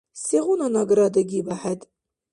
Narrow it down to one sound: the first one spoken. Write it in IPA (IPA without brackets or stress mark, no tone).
s